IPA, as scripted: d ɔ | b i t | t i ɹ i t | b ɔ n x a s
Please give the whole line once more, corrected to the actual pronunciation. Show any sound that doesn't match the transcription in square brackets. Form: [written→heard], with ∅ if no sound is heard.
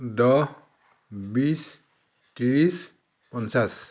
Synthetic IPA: d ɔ | b i [t→s] | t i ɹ i [t→s] | [b→p] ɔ n [x→s] a s